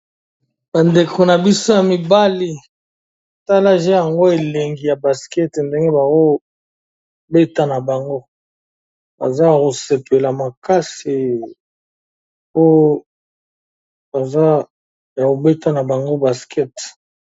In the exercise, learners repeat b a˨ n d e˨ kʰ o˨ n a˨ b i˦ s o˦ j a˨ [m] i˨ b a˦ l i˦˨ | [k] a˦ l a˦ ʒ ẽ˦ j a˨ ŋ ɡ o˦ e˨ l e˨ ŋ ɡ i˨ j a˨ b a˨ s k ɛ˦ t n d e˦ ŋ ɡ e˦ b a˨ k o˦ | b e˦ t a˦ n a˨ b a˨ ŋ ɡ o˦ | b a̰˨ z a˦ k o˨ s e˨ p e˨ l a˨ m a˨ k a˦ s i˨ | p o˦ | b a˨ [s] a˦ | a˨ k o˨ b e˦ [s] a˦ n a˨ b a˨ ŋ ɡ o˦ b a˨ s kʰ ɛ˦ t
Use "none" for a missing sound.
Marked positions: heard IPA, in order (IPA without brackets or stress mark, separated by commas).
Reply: m, t, z, t